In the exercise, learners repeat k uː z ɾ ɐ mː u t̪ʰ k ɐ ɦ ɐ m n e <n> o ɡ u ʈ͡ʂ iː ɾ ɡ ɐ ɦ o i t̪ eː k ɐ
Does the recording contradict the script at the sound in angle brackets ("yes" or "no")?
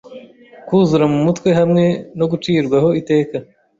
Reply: no